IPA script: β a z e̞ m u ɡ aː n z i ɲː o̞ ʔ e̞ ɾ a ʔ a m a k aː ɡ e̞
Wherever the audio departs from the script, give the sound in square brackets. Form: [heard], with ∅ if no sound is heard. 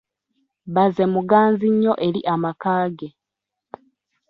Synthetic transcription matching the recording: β a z e̞ m u ɡ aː n z i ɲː o̞ ʔ e̞ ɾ [i] ʔ a m a k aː ɡ e̞